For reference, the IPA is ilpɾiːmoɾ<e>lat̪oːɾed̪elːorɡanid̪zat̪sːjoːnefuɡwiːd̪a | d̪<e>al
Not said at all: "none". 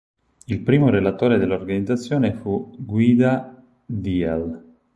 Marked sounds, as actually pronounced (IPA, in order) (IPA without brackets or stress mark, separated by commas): e, i